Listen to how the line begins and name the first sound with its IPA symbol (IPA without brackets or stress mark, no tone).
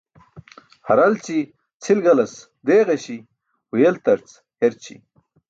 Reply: h